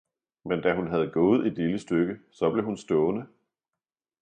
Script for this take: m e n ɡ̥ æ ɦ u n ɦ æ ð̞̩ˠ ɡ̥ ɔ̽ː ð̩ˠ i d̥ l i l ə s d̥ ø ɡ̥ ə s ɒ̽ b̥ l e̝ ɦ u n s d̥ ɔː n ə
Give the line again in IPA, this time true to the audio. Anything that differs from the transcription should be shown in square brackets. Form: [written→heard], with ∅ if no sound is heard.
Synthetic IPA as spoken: m e n [ɡ̥→d̥] æ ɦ u n ɦ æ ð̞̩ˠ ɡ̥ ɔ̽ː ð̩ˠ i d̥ l i l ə s d̥ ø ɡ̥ ə s ɒ̽ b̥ l e̝ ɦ u n s d̥ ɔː n ə